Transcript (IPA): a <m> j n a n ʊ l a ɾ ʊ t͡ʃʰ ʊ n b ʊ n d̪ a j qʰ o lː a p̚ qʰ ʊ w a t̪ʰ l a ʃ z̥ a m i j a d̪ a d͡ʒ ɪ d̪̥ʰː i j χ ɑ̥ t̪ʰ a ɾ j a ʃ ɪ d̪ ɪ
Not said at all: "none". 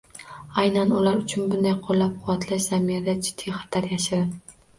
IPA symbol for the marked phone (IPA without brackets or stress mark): none